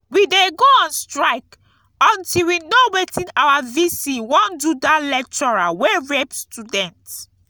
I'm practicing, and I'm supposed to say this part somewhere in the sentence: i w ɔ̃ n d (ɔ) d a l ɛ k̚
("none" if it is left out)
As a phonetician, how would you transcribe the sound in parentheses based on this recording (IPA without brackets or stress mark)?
u